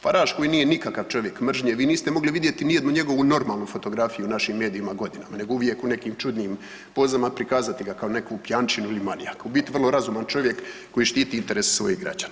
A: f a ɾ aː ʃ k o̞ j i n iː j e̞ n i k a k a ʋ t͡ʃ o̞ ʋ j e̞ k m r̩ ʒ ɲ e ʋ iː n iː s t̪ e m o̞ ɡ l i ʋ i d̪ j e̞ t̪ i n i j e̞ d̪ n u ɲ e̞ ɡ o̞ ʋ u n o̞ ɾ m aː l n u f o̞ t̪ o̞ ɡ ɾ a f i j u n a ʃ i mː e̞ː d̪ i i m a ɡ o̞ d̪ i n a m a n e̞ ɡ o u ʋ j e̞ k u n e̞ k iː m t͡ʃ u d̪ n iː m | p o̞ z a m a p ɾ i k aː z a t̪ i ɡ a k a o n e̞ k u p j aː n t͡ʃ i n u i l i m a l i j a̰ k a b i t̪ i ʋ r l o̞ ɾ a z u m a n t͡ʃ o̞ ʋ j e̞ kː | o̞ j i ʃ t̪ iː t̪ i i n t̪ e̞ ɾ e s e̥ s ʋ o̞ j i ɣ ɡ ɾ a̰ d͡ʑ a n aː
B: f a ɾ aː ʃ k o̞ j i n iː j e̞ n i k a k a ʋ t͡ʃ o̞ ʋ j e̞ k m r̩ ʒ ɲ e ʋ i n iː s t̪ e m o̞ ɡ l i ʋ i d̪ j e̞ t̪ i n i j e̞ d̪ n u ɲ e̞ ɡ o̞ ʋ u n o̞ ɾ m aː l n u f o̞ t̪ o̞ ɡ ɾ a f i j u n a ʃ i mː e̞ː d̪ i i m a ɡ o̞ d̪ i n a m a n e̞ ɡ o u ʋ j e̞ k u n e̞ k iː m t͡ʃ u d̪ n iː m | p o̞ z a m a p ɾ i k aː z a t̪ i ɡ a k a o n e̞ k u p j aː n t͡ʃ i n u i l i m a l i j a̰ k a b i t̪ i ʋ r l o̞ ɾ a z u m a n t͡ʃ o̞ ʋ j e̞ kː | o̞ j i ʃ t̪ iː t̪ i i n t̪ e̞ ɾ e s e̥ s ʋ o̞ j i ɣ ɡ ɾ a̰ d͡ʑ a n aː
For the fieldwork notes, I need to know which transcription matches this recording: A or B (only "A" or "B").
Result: A